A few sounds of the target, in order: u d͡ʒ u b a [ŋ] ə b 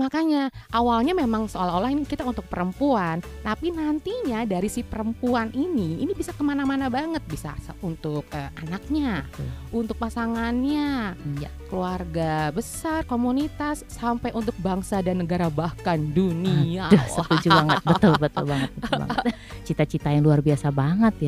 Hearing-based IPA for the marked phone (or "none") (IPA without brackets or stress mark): ŋ